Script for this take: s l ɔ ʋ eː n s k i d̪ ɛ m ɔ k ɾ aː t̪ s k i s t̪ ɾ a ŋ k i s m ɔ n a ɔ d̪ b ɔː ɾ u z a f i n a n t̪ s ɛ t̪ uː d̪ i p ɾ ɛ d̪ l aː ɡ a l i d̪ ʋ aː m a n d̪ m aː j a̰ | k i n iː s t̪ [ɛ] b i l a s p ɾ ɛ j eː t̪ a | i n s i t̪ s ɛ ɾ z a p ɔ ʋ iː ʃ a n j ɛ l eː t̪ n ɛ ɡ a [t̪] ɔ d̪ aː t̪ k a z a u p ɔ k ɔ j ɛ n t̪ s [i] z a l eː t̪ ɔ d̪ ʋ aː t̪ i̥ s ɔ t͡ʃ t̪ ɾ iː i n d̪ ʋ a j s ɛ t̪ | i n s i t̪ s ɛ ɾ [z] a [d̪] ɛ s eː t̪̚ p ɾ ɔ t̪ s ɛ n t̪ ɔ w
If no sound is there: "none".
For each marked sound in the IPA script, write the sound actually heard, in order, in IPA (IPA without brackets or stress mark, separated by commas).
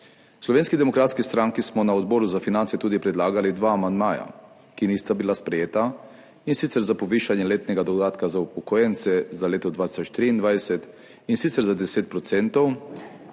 a, d̪, ɛ, z, d̪